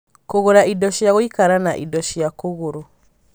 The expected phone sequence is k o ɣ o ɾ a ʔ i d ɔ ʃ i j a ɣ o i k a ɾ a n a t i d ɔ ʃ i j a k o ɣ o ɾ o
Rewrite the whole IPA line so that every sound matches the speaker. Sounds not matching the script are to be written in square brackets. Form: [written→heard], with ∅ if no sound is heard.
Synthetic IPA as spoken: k o ɣ o ɾ a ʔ i d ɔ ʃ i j a ɣ o i k a ɾ a n a [t→ʔ] i d ɔ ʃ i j a k o ɣ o ɾ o